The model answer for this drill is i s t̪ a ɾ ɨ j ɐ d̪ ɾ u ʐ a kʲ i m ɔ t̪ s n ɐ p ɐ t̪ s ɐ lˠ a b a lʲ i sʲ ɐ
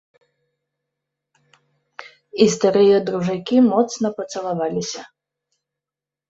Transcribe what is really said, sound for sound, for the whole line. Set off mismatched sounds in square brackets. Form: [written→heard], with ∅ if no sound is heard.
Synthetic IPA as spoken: i s t̪ a ɾ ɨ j ɐ d̪ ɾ u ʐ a kʲ i m ɔ t̪ s n ɐ p ɐ t̪ s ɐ lˠ a [b→v] a lʲ i sʲ ɐ